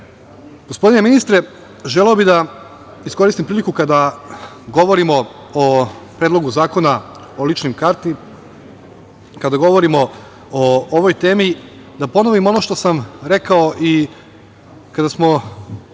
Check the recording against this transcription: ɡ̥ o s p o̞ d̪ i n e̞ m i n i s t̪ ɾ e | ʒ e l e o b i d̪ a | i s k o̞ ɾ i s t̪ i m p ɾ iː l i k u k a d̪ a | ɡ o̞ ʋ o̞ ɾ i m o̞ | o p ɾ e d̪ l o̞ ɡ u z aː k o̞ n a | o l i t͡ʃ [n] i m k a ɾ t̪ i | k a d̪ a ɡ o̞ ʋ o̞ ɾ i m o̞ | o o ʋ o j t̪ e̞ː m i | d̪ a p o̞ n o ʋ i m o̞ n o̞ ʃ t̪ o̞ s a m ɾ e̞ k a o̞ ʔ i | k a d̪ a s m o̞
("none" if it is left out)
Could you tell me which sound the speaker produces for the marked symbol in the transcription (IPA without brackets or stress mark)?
n